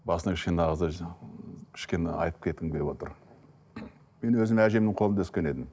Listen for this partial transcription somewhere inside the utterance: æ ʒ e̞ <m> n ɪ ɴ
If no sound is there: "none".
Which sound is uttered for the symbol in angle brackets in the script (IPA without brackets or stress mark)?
m